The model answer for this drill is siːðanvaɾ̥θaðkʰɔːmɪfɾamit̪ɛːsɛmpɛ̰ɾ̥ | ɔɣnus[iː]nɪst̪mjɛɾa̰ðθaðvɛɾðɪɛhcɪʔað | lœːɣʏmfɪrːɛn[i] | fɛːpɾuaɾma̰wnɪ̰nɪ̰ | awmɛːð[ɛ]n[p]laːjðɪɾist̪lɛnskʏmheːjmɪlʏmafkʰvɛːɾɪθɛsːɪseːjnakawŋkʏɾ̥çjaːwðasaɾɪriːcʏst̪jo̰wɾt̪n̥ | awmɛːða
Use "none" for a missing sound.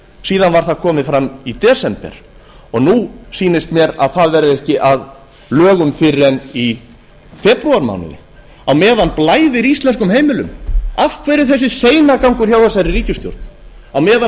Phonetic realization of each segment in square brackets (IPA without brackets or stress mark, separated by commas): iː, i, a, p